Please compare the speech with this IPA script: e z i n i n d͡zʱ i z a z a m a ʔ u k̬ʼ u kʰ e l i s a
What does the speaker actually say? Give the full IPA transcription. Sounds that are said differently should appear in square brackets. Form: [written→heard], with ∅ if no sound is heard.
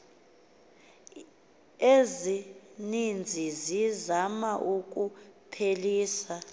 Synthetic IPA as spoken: e z i n i n d͡zʱ i z [a→i] z a m a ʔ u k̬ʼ u [kʰ→pʰ] e l [i→iː] s a